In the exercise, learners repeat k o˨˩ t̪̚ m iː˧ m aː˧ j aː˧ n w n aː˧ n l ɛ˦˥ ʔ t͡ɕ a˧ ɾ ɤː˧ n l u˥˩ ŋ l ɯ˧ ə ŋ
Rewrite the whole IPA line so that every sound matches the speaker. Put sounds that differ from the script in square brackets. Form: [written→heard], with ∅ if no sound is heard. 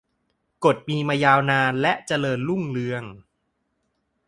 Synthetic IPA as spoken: k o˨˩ t̪̚ m iː˧ m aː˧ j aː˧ [n→∅] w n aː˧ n l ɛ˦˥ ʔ t͡ɕ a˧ [ɾ→l] ɤː˧ n l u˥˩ ŋ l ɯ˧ ə ŋ